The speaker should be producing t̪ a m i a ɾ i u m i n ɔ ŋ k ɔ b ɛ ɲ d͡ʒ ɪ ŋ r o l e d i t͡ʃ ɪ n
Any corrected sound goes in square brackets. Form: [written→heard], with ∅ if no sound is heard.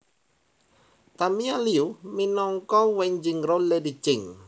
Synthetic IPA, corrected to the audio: t̪ a m i a [ɾ→l] i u m i n ɔ ŋ k ɔ [b→w] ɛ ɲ d͡ʒ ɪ ŋ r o l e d i t͡ʃ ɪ [n→ŋ]